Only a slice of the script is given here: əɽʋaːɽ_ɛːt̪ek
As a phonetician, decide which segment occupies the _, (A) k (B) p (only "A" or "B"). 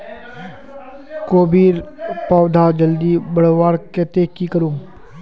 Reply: A